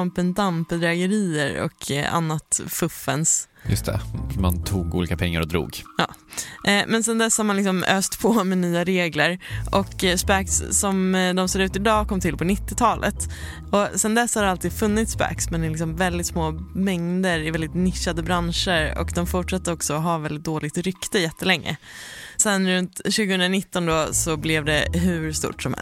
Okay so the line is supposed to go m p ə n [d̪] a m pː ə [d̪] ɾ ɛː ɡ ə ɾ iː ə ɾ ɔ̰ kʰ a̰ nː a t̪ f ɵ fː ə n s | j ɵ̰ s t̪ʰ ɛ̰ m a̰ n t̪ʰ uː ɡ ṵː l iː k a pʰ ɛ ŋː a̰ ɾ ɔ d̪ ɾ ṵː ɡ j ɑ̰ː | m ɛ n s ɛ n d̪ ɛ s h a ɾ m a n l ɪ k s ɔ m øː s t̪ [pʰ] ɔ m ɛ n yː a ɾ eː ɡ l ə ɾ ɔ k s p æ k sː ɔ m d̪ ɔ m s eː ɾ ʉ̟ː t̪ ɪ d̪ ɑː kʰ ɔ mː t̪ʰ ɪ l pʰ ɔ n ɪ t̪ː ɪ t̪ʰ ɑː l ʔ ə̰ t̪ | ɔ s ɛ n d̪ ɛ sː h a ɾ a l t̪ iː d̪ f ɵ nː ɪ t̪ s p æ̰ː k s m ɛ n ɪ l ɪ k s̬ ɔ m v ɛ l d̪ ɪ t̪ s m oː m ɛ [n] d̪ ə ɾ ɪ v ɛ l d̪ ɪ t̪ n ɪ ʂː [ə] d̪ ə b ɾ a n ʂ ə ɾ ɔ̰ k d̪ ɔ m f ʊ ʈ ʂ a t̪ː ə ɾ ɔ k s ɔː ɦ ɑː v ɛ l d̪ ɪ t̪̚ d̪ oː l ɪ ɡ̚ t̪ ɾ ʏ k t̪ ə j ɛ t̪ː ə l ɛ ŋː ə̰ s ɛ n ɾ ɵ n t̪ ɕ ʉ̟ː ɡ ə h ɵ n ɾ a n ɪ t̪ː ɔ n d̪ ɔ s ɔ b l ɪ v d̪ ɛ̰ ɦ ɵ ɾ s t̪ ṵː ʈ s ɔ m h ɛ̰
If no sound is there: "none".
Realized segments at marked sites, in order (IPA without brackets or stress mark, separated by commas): d̪, d̪, pʰ, ŋ, a